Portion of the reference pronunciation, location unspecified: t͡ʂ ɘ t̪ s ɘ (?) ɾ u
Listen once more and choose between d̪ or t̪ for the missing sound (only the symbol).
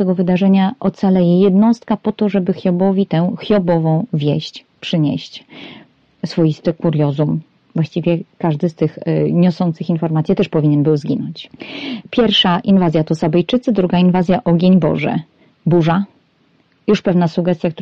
d̪